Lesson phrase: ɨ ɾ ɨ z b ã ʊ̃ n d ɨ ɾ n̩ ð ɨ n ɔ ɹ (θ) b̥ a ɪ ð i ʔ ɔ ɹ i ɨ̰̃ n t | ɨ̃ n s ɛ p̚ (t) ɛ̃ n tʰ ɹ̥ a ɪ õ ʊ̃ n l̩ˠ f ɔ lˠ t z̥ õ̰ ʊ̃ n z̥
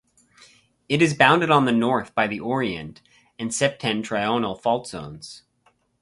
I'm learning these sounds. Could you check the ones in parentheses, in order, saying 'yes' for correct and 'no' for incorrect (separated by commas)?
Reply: yes, no